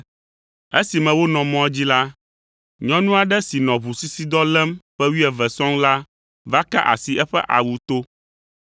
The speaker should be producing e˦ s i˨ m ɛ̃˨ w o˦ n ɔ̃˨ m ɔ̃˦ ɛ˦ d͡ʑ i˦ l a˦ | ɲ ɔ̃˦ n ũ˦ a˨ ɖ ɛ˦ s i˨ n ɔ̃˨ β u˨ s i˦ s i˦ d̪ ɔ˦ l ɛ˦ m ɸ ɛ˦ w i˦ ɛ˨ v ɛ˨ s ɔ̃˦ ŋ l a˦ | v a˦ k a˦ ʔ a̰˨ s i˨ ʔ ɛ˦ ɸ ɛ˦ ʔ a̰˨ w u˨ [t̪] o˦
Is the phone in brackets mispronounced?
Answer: no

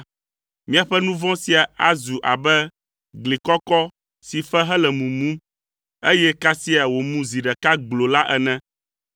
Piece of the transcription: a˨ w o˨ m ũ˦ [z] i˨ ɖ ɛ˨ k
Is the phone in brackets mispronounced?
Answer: no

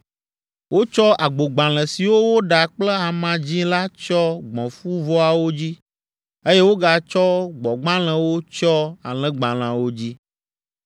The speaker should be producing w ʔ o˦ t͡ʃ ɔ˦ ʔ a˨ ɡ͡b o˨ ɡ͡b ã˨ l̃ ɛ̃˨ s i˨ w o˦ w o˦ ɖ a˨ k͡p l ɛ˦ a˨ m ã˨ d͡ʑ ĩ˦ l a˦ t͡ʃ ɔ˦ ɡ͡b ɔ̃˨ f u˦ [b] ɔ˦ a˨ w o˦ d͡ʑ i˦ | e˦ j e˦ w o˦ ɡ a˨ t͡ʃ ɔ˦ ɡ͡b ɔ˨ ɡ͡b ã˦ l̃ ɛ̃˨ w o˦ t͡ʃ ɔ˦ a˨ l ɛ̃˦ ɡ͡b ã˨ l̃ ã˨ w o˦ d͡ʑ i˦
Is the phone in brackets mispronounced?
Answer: yes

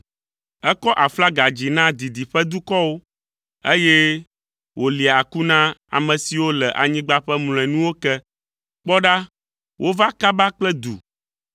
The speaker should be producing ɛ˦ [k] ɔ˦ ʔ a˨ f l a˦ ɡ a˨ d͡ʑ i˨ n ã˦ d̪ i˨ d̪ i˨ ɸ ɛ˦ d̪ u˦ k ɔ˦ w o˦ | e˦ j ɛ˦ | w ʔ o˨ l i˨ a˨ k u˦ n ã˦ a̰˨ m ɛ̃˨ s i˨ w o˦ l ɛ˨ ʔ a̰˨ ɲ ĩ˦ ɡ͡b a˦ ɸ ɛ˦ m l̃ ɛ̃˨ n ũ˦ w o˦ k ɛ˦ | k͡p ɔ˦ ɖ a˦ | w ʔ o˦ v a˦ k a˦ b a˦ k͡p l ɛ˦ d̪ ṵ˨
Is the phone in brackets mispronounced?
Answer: no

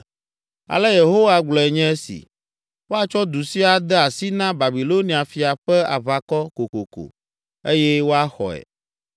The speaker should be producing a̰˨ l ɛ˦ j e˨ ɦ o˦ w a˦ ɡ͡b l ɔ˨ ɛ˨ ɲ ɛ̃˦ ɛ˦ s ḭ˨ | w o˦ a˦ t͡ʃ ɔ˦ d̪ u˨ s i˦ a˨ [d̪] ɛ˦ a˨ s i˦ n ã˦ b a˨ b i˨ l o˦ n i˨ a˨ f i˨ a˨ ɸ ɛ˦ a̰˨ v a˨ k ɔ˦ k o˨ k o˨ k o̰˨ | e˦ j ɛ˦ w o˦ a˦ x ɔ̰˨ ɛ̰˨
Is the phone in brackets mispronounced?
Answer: no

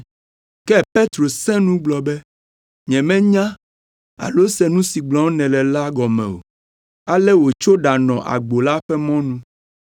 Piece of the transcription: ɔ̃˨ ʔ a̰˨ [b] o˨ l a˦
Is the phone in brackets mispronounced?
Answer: yes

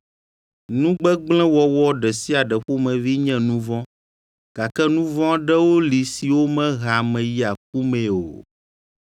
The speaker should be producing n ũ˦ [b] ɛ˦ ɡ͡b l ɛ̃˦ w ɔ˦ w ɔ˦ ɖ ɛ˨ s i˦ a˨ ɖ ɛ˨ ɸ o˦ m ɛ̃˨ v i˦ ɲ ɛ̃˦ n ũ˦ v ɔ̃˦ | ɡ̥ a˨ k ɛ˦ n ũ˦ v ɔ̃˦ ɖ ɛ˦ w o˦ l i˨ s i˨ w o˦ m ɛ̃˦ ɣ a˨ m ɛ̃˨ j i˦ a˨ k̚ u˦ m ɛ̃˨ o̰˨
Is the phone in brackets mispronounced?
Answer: yes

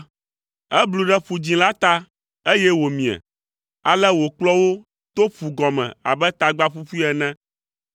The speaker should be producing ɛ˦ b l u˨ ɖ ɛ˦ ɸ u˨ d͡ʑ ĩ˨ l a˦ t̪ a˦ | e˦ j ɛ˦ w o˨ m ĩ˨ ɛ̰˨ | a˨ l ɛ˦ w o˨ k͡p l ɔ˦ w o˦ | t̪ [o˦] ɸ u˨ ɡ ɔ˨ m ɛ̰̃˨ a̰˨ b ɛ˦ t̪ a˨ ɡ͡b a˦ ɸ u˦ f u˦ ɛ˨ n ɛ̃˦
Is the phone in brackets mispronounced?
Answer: no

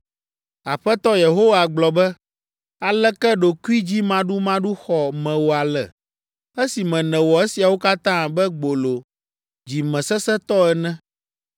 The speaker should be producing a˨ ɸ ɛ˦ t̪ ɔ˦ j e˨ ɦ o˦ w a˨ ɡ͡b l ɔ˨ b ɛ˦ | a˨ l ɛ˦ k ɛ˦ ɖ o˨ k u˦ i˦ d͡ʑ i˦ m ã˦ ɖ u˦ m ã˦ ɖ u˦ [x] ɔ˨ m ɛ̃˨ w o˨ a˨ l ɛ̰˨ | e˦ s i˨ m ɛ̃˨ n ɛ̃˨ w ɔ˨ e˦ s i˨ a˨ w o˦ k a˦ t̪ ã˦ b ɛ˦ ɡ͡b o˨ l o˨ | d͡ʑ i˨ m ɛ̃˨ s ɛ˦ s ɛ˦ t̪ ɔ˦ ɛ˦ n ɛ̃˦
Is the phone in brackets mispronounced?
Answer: no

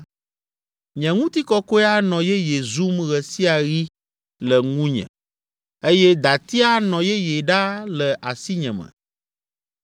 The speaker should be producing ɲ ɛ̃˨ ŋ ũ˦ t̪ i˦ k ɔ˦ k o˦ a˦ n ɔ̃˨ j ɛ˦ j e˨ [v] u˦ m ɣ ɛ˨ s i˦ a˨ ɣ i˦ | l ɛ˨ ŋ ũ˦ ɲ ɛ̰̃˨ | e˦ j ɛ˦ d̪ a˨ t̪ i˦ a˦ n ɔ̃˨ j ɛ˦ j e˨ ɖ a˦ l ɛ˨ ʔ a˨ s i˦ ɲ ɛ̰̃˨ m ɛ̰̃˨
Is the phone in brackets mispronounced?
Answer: yes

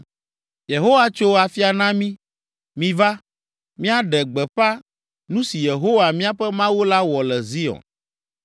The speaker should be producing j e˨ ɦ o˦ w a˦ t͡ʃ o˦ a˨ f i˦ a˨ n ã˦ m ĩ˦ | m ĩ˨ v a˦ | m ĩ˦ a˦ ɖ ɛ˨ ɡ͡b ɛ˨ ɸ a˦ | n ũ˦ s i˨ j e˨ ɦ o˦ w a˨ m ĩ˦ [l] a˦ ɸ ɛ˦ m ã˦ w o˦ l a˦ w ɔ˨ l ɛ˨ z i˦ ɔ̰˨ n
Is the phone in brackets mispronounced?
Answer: yes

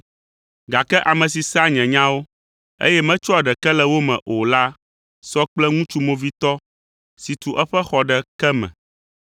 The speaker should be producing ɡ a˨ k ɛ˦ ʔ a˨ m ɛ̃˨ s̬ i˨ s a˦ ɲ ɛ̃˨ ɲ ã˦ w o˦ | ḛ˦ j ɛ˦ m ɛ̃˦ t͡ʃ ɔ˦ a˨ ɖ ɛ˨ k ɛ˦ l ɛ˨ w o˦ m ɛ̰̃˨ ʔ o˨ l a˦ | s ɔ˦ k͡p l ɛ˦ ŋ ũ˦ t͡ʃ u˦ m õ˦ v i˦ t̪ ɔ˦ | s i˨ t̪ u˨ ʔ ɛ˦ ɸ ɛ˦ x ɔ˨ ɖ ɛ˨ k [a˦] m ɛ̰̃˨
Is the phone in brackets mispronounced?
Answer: yes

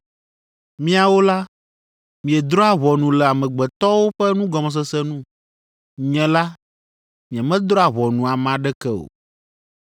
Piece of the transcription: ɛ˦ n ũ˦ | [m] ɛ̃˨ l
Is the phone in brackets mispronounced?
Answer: yes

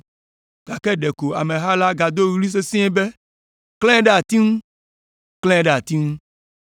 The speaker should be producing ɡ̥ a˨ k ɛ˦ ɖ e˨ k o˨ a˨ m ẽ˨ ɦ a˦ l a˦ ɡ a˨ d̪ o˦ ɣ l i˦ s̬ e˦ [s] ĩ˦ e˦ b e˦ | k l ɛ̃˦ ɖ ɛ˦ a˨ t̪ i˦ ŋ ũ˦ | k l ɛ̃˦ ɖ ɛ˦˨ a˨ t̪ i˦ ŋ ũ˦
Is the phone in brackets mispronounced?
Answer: no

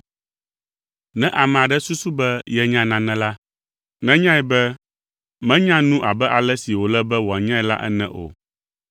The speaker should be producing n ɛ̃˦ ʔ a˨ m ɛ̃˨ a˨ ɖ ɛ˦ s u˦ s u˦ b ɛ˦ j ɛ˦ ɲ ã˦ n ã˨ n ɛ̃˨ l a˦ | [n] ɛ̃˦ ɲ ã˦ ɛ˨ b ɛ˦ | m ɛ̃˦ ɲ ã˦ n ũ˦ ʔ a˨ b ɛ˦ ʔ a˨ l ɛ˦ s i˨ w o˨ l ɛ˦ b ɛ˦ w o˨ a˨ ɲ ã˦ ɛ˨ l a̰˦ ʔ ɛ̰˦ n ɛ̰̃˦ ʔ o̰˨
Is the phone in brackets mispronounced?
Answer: no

